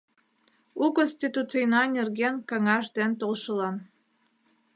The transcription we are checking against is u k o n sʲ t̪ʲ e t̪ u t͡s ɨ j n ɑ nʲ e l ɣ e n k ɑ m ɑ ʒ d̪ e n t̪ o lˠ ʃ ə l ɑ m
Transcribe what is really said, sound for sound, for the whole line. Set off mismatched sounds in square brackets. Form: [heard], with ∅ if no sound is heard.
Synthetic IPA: u k o n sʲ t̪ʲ [i] t̪ u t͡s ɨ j n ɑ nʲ e [r] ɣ e n k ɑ [ŋ] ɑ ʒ d̪ e n t̪ o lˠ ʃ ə l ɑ [n]